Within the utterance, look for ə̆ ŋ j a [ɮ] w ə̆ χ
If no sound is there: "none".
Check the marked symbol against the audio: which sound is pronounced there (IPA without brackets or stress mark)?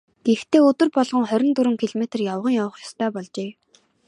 none